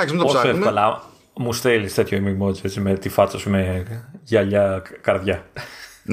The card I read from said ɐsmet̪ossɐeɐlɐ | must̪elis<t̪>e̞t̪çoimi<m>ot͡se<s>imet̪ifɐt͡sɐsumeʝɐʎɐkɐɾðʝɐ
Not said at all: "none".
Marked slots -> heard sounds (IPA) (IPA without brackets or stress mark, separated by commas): t̪, m, t͡s